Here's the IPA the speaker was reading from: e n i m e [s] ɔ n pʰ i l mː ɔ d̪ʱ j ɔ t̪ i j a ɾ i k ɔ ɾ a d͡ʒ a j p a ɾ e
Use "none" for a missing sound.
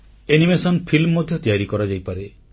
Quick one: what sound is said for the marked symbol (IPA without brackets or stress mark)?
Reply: s